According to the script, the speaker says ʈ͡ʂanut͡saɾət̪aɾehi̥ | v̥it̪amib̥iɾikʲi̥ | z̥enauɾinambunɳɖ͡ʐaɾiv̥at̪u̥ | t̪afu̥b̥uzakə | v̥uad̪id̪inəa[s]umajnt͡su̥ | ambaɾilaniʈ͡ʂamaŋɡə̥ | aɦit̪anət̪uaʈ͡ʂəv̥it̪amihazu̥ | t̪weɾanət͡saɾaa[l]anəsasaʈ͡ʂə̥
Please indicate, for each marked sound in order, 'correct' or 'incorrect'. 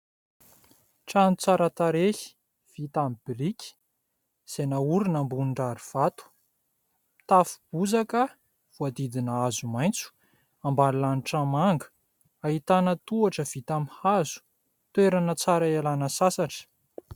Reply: incorrect: z, correct

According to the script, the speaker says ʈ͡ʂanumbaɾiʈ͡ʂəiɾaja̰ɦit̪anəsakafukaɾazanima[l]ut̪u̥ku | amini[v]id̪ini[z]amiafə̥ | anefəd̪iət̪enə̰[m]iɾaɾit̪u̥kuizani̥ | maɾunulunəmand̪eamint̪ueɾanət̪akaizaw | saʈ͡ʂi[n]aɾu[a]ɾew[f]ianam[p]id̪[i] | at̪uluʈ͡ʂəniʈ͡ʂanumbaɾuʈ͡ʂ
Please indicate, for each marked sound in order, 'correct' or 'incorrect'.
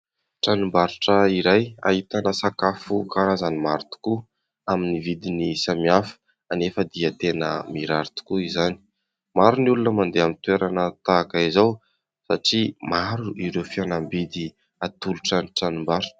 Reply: incorrect: ɾ, correct, incorrect: s, correct, incorrect: m, incorrect: i, correct, incorrect: b, correct

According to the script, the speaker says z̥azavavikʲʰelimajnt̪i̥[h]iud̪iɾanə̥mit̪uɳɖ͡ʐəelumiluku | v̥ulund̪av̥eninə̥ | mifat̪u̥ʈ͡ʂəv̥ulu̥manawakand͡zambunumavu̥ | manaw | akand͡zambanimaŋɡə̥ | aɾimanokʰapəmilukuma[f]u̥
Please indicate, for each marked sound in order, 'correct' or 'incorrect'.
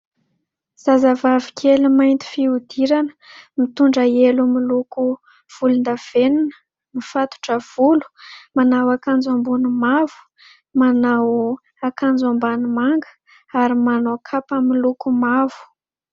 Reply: incorrect: f, incorrect: v

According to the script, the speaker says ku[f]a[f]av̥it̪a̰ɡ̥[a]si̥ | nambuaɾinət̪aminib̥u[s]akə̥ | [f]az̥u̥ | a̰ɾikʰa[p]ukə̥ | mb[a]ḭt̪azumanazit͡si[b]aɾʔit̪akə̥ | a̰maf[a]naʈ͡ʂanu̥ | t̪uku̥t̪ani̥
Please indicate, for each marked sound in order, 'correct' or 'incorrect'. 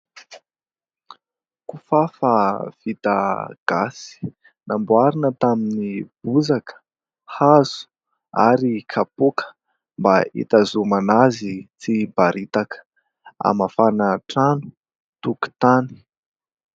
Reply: correct, correct, correct, incorrect: z, incorrect: h, correct, correct, correct, correct

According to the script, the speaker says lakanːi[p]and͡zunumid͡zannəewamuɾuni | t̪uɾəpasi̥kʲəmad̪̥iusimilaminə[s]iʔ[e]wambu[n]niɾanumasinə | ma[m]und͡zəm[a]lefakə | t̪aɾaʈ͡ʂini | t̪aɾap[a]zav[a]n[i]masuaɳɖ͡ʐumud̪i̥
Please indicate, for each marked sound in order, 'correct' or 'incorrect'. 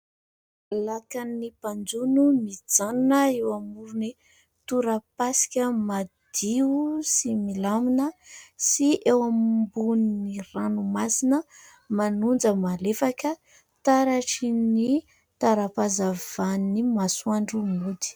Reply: correct, correct, correct, correct, incorrect: n, correct, correct, correct, correct

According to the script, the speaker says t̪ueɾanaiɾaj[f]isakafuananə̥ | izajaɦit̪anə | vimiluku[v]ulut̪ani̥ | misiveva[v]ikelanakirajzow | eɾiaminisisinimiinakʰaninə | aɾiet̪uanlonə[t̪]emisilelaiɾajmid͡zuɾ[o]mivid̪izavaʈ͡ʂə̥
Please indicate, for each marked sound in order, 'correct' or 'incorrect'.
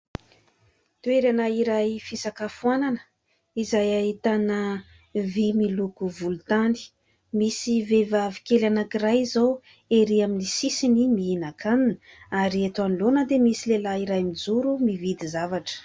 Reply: correct, correct, correct, incorrect: d̪, incorrect: u

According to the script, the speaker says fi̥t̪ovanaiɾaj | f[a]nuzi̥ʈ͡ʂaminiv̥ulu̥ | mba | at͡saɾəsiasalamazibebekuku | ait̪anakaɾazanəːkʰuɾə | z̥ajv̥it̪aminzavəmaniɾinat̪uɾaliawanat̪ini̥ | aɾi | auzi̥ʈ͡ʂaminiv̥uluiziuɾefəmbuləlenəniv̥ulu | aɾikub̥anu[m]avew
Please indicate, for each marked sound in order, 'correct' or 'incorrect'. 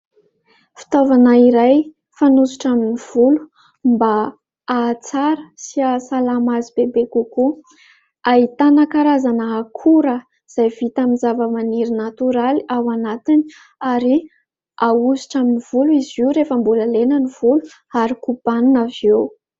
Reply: correct, incorrect: n

